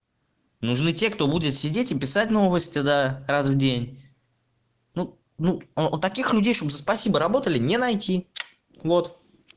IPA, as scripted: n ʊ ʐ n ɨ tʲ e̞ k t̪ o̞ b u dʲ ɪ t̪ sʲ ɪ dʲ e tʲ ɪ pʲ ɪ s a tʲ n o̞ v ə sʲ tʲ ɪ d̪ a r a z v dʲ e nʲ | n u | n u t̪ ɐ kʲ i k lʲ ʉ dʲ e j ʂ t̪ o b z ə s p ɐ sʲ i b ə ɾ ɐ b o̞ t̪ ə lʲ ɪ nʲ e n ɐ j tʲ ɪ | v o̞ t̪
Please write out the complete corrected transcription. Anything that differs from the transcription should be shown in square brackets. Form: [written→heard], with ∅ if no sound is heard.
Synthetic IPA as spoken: n ʊ ʐ n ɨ tʲ e̞ k t̪ o̞ b u dʲ ɪ t̪ sʲ ɪ dʲ e tʲ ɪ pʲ ɪ s a tʲ n o̞ v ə sʲ tʲ ɪ d̪ a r a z v dʲ e nʲ | n u | n u t̪ ɐ kʲ i [k→x] lʲ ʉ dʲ e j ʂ t̪ o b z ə s p ɐ sʲ i b ə ɾ ɐ b o̞ t̪ ə lʲ ɪ nʲ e n ɐ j tʲ [ɪ→i] | v o̞ t̪